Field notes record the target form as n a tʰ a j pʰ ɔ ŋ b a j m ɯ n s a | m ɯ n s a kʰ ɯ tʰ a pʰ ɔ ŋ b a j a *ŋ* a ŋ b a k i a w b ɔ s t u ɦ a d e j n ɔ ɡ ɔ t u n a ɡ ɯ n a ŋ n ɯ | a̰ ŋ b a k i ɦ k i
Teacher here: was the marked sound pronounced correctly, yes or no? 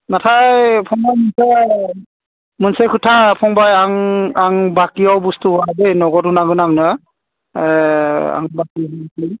yes